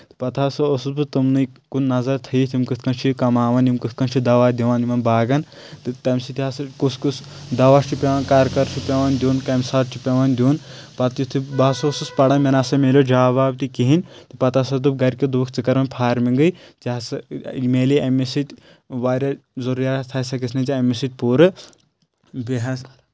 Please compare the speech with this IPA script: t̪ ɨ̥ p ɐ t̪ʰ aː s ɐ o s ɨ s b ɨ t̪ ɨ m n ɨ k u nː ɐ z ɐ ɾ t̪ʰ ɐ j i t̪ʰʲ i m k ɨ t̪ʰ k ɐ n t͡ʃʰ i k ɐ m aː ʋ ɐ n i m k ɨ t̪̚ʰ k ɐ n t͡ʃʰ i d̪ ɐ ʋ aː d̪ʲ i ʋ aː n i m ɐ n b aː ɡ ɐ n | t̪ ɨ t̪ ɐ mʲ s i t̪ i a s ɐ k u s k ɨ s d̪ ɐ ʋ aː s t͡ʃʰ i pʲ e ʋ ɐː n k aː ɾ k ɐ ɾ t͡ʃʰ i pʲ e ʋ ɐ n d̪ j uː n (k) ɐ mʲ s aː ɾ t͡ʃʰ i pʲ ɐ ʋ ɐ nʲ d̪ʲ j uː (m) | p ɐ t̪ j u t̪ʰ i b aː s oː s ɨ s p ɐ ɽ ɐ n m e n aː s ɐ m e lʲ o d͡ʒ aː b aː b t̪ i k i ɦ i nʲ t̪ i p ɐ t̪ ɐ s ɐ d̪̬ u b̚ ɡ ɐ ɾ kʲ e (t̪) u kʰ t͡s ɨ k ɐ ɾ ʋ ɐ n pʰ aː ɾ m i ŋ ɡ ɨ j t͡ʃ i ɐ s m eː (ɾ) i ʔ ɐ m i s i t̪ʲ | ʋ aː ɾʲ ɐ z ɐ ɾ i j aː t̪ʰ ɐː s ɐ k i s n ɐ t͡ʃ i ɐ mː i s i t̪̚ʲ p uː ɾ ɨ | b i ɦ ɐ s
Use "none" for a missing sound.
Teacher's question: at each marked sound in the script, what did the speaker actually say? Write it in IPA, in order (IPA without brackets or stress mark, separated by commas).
k, n, d̪, l